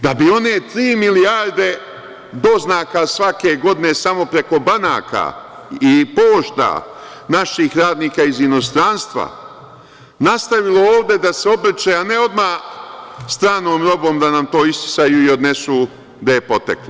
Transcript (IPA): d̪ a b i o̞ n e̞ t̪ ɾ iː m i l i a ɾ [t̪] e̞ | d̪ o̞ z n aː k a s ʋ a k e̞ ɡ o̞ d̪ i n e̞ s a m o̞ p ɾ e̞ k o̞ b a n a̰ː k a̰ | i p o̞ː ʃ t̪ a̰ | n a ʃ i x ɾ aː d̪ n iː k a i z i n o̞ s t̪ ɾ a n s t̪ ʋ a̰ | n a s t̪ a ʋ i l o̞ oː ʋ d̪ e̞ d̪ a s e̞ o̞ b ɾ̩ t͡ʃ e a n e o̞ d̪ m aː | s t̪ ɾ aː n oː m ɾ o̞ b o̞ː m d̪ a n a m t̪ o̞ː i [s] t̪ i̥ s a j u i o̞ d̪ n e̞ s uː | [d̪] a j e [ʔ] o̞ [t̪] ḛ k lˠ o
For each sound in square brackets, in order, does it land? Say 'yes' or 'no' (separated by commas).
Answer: no, yes, yes, no, yes